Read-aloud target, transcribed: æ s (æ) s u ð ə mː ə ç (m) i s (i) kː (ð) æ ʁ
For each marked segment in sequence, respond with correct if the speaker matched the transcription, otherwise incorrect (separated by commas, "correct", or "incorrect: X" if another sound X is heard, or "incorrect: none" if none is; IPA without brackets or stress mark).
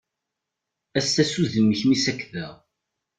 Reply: correct, correct, incorrect: æ, correct